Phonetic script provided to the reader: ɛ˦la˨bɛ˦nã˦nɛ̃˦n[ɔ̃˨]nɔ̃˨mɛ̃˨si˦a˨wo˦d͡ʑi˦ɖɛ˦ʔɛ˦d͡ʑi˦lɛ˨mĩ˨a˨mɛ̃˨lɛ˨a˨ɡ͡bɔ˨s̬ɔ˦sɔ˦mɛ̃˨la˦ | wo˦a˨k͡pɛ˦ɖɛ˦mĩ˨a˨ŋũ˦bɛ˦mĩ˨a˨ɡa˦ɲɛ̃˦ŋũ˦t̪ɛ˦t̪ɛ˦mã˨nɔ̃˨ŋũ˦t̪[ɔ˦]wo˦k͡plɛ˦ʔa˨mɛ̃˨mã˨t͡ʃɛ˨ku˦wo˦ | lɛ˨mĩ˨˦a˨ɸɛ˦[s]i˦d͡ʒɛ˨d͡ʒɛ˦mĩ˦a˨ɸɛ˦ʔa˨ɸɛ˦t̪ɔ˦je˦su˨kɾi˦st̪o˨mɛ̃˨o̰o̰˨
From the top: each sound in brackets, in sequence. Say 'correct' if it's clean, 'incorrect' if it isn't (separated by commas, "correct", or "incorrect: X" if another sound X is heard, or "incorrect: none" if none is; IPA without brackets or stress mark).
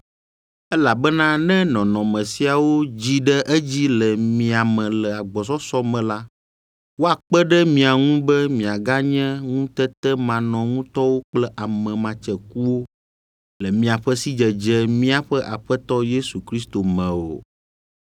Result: correct, correct, correct